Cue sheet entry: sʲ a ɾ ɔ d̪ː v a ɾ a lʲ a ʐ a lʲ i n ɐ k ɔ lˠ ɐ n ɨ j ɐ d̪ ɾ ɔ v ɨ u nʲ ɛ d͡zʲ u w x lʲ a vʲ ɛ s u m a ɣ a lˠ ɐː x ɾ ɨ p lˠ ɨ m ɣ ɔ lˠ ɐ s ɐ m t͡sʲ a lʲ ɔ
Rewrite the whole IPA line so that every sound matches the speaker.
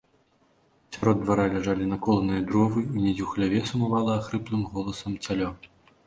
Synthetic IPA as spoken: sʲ a ɾ ɔ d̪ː v a ɾ a lʲ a ʐ a lʲ i n ɐ k ɔ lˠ ɐ n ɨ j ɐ d̪ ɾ ɔ v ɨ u nʲ ɛ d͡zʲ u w x lʲ a vʲ ɛ s u m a v a lˠ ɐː x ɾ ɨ p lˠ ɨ m ɣ ɔ lˠ ɐ s ɐ m t͡sʲ a lʲ ɔ